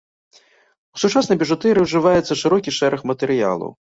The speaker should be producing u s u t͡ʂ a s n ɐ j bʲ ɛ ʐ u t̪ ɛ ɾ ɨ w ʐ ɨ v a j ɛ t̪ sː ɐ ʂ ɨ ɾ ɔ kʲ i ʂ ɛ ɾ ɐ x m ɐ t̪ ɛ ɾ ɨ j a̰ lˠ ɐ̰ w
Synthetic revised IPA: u s u t͡ʂ a s n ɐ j bʲ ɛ ʐ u t̪ ɛ ɾ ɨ w ʐ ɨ v a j ɛ t̪ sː ɐ ʂ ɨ ɾ ɔ kʲ i ʂ ɛ ɾ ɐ x m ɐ t̪ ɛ ɾ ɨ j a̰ lˠ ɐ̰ w